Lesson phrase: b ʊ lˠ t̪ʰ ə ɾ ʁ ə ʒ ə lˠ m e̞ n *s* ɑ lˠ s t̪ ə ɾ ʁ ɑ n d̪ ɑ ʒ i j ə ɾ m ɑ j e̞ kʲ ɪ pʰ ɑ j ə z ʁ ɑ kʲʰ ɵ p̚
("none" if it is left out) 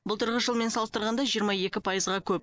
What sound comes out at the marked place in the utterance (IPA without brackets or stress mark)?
s